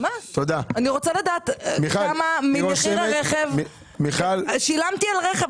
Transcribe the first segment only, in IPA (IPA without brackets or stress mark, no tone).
m